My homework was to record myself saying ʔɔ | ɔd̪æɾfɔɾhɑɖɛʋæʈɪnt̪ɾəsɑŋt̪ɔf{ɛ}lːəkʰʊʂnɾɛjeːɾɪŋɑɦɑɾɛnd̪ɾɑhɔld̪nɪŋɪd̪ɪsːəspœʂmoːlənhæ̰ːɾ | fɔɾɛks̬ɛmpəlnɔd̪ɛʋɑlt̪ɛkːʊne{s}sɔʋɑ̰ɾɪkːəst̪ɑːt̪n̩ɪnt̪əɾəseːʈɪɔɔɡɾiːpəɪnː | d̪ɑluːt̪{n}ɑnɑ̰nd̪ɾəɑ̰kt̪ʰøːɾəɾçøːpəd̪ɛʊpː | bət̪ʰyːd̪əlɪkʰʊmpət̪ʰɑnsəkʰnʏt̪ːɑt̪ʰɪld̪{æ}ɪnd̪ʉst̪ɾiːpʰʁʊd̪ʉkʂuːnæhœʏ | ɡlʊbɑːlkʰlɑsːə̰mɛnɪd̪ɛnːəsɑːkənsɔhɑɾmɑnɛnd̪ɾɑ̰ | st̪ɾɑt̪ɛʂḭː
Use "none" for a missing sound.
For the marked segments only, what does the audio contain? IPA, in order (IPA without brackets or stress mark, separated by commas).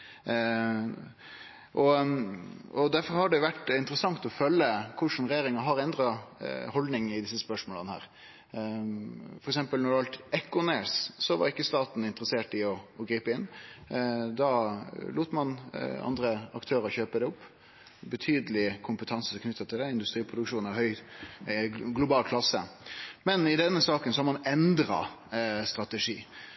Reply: œ, s, m, ɛ